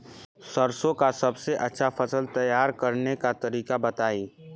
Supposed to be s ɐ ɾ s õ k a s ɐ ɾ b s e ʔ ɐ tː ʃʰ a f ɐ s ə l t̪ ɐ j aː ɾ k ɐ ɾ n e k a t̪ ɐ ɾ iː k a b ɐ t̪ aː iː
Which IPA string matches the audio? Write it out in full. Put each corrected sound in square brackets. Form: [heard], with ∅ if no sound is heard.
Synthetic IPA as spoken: s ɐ ɾ s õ k a s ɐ [∅] b s e ʔ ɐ tː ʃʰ a f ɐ s ə l t̪ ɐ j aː ɾ k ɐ ɾ n e k a t̪ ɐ ɾ iː k a b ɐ t̪ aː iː